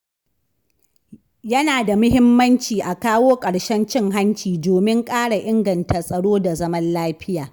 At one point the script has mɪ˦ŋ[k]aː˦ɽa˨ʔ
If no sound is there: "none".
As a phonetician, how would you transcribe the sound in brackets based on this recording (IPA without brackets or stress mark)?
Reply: kʼ